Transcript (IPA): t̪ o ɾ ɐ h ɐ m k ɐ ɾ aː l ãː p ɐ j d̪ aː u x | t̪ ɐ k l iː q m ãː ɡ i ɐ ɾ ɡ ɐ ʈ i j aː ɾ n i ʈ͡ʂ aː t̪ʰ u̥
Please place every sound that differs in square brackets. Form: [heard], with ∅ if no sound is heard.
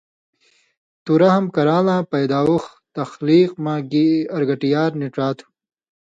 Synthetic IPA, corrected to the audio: t̪ [u] ɾ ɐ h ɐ m k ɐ ɾ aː l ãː p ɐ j d̪ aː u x | t̪ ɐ [x] l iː q m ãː ɡ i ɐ ɾ ɡ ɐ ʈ i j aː ɾ n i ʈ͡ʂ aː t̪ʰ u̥